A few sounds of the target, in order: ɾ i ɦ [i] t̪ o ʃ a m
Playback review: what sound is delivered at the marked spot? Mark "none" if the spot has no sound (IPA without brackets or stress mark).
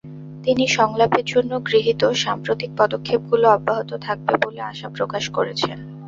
i